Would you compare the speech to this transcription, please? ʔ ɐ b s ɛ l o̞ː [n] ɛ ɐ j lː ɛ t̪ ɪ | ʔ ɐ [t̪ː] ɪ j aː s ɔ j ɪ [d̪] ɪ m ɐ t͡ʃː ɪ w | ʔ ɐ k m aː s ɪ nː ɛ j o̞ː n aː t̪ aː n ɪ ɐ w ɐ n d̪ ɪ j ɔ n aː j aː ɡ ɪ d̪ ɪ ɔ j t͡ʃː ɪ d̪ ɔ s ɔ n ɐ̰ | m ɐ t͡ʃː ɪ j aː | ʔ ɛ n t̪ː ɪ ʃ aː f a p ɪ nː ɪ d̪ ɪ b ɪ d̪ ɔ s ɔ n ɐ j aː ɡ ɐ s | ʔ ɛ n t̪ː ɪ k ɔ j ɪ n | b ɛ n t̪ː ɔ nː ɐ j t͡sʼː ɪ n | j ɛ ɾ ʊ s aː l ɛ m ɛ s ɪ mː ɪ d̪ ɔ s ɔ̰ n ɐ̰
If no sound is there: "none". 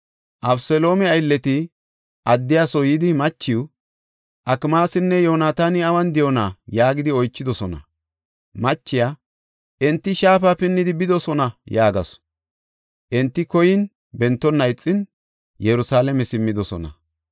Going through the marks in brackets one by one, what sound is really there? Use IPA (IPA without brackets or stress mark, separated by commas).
m, d̪ː, d̪